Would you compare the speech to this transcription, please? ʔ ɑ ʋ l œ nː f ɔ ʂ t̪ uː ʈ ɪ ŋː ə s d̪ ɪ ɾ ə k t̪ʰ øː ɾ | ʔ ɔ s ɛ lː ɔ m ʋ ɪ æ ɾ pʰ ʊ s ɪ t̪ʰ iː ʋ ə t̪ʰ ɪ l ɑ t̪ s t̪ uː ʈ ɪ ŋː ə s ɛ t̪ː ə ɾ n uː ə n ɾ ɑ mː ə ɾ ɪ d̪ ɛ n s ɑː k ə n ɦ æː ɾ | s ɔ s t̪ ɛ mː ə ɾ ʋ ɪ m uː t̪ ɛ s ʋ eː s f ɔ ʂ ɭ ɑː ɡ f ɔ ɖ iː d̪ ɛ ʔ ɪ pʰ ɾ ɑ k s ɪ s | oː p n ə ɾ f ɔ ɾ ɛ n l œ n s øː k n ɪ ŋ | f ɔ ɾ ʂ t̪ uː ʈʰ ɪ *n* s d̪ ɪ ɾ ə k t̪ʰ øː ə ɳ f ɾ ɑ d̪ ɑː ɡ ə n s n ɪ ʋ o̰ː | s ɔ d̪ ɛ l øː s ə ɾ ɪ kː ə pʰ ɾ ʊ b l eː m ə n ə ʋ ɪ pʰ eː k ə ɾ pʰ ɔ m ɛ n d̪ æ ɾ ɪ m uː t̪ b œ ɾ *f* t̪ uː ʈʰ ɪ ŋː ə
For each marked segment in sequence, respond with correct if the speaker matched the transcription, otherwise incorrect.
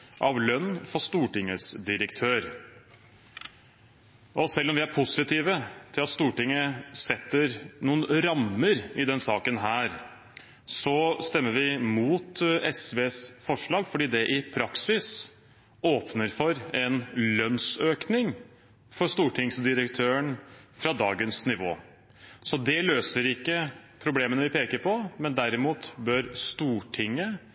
incorrect, incorrect

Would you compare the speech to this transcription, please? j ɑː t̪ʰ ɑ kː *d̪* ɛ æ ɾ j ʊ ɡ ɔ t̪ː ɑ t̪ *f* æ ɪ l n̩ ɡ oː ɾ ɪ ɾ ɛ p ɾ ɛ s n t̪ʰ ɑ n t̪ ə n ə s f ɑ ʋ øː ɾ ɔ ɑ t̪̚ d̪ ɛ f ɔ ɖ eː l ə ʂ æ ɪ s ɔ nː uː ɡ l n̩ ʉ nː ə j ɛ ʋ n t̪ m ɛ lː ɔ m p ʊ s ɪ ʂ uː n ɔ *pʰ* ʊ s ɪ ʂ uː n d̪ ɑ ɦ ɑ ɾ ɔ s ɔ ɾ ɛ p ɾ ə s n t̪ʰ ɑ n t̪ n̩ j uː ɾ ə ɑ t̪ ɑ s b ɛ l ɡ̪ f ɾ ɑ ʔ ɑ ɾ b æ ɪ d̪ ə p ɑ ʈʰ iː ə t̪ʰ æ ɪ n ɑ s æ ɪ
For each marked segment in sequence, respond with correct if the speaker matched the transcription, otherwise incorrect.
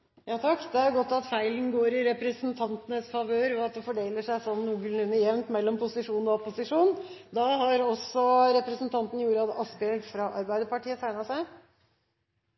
correct, correct, incorrect

